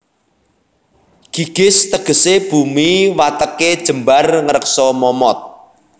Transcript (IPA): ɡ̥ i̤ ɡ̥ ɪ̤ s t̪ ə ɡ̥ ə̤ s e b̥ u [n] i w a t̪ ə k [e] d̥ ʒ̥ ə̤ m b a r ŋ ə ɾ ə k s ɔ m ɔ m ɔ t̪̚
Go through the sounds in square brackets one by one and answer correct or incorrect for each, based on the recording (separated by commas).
incorrect, correct